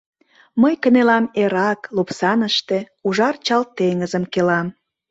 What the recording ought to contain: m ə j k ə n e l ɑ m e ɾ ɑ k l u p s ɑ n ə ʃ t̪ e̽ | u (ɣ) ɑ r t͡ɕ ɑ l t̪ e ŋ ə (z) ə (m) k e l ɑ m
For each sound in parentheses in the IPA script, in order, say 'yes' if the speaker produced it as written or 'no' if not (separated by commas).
no, yes, yes